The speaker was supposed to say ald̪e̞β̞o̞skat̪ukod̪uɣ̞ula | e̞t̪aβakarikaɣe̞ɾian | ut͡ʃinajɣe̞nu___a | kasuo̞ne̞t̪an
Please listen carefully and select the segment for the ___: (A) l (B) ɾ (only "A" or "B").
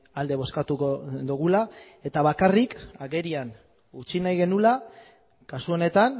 A